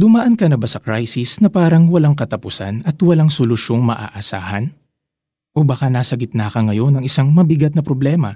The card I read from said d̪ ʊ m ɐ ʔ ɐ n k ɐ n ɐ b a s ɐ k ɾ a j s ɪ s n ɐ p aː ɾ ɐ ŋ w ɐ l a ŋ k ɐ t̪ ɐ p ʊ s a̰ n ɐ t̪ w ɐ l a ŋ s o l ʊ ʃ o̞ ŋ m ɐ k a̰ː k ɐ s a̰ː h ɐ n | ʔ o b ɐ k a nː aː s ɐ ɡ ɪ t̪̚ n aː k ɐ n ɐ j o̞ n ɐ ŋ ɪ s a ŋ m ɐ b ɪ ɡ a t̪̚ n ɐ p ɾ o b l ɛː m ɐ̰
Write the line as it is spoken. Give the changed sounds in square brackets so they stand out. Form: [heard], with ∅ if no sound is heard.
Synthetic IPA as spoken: d̪ ʊ m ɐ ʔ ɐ n k ɐ n ɐ b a s ɐ k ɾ a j s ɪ s n ɐ p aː ɾ ɐ ŋ w ɐ l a ŋ k ɐ t̪ ɐ p ʊ s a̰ n ɐ t̪ w ɐ l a ŋ s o l ʊ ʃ o̞ ŋ m ɐ [ʔ] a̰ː [ʔ] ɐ s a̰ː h ɐ n | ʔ o b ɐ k a [n] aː s ɐ ɡ ɪ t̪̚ n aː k ɐ [ŋ] ɐ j o̞ n ɐ ŋ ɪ s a ŋ m ɐ b ɪ ɡ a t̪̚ n ɐ p ɾ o b l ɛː m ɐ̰